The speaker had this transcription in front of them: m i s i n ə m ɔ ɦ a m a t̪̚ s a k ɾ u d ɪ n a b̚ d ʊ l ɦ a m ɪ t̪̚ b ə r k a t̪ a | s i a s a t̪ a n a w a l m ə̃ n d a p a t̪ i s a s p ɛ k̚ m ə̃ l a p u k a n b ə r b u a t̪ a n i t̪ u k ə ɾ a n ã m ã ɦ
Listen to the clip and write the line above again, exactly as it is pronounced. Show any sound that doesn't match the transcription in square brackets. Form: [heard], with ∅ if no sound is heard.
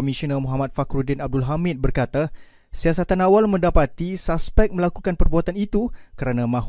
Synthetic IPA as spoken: m i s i n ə m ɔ ɦ a m a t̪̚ [f] a k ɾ u d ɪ n a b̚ d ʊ l ɦ a m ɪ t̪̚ b ə r k a t̪ a | s i a s a t̪ a n a w a l m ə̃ n d a p a t̪ i s a s p ɛ k̚ m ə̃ l a [k] u k a n [p] ə r b u a t̪ a n i t̪ u k ə ɾ a n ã m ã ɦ